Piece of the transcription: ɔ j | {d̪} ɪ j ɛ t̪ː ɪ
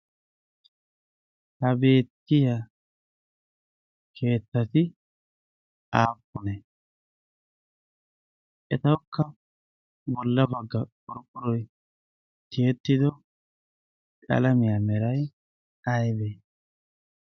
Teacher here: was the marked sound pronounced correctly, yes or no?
no